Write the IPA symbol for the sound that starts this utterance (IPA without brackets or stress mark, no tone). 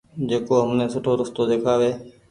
d͡ʒ